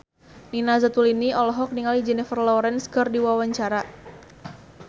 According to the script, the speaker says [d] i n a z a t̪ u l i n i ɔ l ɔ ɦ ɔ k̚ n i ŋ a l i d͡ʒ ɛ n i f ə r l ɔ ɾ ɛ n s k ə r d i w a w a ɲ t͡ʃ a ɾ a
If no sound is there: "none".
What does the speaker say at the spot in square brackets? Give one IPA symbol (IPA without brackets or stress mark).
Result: n